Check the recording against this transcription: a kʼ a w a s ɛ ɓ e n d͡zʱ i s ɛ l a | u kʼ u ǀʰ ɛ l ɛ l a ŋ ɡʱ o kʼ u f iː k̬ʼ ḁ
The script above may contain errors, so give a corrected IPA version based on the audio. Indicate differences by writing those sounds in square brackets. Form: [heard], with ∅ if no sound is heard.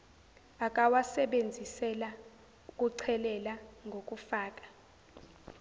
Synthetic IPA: a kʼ a w a s ɛ ɓ e n d͡zʱ i s ɛ l a | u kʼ u ǀʰ ɛ l ɛ l a ŋ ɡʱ o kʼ u f [aː] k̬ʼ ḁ